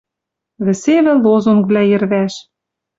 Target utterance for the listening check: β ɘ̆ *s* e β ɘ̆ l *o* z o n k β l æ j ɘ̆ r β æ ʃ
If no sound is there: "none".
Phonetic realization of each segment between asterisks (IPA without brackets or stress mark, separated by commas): s, o